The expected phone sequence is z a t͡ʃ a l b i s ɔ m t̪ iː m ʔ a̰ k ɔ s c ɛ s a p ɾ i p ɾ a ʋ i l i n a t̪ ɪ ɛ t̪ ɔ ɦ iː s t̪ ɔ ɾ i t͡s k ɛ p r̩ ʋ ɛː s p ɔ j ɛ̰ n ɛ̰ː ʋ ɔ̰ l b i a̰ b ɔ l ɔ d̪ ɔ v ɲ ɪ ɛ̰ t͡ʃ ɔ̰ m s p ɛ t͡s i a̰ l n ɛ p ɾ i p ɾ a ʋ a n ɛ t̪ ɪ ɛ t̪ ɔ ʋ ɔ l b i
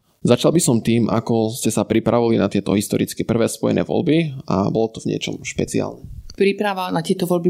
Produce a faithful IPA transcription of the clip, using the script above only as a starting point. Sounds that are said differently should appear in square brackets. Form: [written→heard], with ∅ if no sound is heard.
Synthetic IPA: z a t͡ʃ a l b i s ɔ m t̪ iː m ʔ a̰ k ɔ s c ɛ s a p ɾ i p ɾ a ʋ i l i n a t̪ ɪ ɛ t̪ ɔ ɦ [iː→i] s t̪ ɔ ɾ i t͡s k ɛ p r̩ ʋ ɛː s p ɔ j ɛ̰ n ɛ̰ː ʋ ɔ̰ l b i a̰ b ɔ l ɔ [d̪→t̪] ɔ v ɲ ɪ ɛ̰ t͡ʃ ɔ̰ m [s→ʃ] p ɛ t͡s i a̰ l n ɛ p ɾ i p ɾ a ʋ a n [ɛ→a] t̪ ɪ ɛ t̪ ɔ ʋ ɔ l b i